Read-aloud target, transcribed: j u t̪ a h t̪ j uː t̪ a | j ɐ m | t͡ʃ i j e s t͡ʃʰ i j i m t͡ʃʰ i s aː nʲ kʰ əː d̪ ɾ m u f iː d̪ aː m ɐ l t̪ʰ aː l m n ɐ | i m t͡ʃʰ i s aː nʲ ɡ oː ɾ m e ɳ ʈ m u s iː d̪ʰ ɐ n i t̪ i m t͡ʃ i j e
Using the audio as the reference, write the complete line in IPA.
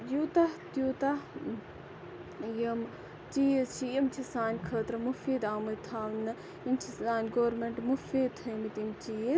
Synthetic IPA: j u t̪ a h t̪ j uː t̪ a | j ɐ m | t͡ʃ i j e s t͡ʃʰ i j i m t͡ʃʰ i s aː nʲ kʰ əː t̪ ɾ m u f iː d̪ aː m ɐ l t̪ʰ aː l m n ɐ | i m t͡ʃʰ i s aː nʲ ɡ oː ɾ m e ɳ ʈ m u f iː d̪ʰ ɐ m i t̪ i m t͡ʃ i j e